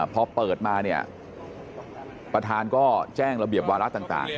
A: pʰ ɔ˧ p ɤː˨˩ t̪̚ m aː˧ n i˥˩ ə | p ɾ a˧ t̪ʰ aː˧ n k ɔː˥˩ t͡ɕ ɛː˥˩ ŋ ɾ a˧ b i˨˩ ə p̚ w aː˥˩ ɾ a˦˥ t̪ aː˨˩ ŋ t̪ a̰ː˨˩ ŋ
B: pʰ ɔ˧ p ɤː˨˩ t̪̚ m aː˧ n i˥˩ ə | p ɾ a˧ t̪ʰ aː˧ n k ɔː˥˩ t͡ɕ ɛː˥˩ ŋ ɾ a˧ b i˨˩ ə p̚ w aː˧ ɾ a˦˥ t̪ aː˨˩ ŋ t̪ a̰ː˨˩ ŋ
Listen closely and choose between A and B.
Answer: B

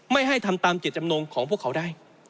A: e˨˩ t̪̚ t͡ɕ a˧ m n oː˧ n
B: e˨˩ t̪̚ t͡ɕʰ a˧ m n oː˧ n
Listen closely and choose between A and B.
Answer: A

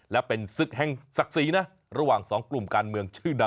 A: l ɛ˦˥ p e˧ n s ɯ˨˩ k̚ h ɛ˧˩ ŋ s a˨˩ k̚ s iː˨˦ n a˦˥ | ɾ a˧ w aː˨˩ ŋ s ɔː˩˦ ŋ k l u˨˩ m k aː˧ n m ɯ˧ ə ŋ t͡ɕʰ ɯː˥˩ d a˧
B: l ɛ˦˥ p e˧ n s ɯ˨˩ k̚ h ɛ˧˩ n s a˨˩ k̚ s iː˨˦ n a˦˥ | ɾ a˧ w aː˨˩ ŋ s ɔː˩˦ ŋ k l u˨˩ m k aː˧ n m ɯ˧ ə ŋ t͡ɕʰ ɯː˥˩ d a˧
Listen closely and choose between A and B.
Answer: A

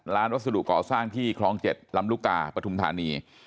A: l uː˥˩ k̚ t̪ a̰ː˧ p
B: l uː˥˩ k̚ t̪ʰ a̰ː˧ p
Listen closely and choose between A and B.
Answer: A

